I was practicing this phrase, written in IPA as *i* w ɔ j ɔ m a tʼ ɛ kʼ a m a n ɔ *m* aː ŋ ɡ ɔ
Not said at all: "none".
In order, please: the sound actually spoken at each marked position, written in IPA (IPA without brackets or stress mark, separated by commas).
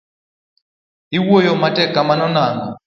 i, n